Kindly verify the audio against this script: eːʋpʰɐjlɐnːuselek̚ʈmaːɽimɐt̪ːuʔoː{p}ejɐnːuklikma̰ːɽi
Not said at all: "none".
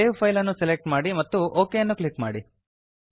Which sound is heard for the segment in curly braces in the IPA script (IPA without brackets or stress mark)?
k